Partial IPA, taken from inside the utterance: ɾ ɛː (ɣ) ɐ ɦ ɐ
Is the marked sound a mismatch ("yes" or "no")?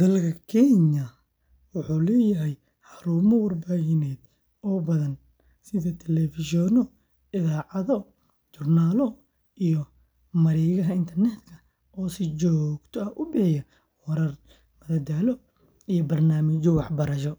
no